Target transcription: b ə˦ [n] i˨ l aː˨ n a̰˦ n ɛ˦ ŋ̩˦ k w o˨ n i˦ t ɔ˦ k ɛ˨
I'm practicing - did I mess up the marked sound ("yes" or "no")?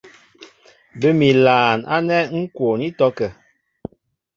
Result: yes